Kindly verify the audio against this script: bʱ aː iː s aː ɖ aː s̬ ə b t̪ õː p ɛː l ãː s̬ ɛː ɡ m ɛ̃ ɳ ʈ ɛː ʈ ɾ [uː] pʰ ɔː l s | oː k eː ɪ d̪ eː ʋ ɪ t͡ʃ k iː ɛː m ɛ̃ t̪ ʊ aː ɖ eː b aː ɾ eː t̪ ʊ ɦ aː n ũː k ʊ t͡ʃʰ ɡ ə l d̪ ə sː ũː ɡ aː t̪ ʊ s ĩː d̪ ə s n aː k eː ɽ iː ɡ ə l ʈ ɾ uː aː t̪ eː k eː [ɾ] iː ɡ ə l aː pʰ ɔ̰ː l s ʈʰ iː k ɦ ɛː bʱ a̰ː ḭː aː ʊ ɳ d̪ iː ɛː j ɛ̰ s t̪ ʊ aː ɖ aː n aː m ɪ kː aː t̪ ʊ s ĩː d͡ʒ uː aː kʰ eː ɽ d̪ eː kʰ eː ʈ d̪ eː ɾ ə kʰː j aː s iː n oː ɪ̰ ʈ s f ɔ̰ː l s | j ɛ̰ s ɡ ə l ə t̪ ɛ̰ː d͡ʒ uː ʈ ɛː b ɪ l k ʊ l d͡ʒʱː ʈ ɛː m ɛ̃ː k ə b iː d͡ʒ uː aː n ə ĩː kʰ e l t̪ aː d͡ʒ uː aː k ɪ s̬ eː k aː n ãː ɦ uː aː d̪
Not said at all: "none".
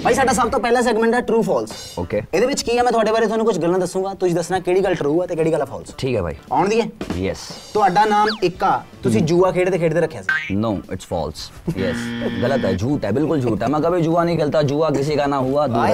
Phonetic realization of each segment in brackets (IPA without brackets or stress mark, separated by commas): uː, ɽ